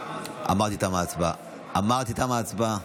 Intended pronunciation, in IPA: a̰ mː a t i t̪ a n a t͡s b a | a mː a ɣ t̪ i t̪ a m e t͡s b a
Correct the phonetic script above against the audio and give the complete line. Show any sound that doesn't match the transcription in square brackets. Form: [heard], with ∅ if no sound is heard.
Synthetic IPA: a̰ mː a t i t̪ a [m] a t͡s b a | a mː a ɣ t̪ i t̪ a m [a] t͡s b a